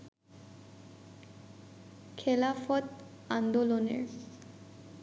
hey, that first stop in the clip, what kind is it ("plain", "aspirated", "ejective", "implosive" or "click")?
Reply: aspirated